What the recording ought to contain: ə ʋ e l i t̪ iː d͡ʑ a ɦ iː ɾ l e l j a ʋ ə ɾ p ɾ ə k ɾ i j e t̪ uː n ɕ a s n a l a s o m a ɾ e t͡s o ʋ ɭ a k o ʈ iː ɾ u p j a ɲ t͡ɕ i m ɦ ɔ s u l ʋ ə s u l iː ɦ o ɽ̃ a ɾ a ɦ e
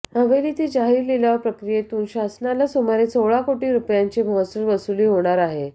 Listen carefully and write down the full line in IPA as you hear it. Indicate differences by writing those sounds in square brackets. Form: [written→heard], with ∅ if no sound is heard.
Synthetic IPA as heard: ə ʋ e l i t̪ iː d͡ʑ a ɦ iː ɾ l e l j a ʋ ə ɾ p ɾ ə k ɾ i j e t̪ uː n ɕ a s n a l a s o m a ɾ e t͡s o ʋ ɭ a k o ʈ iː ɾ u p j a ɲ t͡ɕ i m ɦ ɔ s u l ʋ ə s u l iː ɦ o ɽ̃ a ɾ a ɦ e